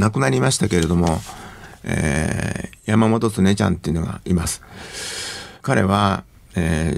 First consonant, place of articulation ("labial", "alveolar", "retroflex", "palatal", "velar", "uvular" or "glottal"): alveolar